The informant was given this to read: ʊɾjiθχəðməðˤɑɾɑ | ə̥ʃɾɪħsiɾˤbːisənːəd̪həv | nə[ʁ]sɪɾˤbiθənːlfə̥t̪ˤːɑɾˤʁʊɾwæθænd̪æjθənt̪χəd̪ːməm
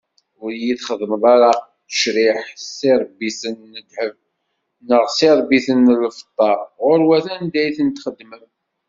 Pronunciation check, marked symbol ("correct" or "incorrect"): correct